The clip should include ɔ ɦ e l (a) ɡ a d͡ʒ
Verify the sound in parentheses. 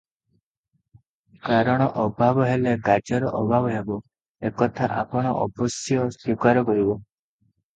incorrect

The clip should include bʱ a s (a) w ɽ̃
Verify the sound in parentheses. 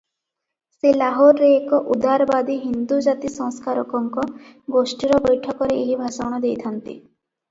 correct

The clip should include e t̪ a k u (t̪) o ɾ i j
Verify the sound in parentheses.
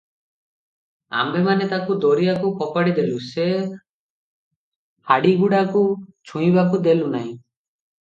incorrect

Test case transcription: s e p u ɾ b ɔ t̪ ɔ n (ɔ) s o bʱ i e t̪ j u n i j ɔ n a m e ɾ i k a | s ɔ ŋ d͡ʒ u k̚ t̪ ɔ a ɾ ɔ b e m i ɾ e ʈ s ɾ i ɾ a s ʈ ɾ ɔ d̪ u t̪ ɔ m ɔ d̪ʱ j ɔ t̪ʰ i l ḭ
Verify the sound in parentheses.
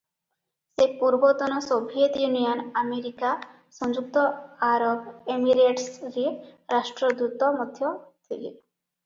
correct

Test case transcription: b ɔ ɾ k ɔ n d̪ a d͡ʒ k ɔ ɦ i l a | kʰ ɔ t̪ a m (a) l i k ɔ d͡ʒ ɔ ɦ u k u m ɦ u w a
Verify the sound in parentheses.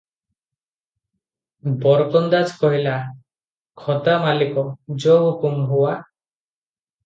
correct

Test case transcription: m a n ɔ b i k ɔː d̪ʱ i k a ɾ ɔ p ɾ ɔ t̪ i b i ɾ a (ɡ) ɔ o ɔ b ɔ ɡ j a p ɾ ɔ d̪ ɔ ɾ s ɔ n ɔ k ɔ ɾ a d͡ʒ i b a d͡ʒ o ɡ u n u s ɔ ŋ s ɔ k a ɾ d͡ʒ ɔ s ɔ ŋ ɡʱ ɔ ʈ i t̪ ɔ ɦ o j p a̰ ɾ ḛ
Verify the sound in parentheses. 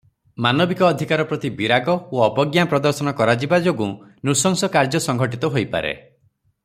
correct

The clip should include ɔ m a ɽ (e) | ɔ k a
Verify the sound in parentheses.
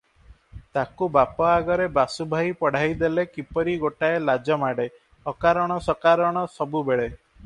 correct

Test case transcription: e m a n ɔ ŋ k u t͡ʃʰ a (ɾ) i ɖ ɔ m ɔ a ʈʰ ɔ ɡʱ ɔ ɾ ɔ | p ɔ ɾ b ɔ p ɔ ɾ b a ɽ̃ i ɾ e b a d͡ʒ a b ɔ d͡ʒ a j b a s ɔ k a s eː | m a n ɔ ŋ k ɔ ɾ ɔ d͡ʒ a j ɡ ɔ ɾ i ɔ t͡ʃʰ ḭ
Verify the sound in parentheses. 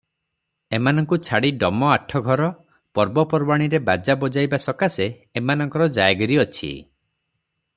incorrect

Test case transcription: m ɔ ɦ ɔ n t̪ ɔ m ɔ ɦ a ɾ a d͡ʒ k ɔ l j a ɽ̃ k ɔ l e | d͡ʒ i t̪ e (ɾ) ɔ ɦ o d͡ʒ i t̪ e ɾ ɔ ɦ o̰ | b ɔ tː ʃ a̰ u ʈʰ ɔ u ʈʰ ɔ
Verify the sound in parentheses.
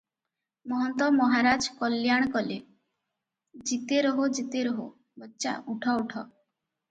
correct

